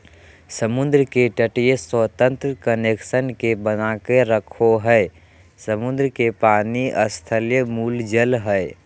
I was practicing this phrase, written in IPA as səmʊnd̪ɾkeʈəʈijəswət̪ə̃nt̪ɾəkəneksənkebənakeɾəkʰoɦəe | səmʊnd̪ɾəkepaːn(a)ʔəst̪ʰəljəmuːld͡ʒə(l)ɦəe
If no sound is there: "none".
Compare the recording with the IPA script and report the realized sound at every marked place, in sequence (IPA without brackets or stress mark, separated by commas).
i, l